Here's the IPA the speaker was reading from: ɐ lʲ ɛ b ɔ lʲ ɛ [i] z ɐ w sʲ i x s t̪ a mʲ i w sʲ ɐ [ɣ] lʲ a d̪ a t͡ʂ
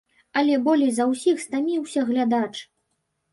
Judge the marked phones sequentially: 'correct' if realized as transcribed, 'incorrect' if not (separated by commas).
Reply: incorrect, correct